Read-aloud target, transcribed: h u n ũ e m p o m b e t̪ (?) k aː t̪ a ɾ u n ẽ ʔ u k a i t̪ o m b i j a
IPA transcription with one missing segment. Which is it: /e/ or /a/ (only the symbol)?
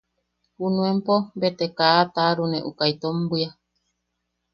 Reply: e